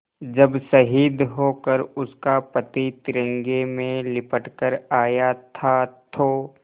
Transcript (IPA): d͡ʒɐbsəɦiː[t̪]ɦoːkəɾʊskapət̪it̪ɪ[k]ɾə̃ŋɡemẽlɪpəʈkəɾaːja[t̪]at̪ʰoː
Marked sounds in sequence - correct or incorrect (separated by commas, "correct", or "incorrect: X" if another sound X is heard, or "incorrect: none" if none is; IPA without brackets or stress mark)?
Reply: incorrect: d̪, incorrect: none, incorrect: t̪ʰ